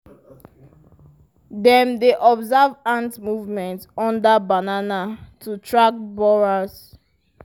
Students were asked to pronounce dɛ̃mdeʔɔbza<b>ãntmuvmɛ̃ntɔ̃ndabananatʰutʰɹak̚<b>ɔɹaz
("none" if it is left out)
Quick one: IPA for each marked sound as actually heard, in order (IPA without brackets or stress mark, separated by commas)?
v, b